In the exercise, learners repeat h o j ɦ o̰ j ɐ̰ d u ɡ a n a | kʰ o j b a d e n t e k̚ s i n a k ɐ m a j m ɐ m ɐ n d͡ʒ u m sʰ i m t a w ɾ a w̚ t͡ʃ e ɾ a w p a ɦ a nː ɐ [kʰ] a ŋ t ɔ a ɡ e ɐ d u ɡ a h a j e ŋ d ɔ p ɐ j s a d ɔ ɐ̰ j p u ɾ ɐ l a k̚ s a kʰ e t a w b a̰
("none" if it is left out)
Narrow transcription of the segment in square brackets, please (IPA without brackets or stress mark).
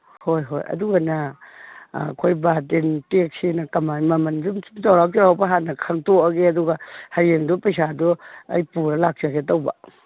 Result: kʰ